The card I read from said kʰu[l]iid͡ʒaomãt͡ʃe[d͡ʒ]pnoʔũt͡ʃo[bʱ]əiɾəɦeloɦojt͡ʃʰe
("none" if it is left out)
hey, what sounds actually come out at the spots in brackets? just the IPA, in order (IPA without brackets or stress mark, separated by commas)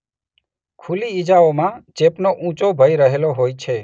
l, none, bʱ